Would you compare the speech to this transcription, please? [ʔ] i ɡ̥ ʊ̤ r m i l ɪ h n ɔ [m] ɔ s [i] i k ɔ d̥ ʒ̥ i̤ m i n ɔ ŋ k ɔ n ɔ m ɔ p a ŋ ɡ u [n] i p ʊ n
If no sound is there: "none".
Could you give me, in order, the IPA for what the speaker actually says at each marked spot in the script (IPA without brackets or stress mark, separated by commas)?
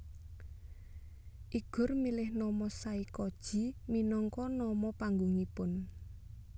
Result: ʔ, m, a, ŋ